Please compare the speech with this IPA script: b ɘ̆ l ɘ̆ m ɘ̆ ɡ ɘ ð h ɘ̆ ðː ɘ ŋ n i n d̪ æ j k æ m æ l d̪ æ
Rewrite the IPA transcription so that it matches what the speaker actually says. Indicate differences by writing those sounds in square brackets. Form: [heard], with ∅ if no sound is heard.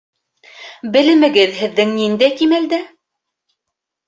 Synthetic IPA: b ɘ̆ l ɘ̆ m ɘ̆ ɡ ɘ ð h ɘ̆ ðː ɘ ŋ n i n d̪ æ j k [i] m æ l d̪ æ